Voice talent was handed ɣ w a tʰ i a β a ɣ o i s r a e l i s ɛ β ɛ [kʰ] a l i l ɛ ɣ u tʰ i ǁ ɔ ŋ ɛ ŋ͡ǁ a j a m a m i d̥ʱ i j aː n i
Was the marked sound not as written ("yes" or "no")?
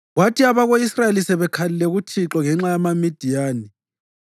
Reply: no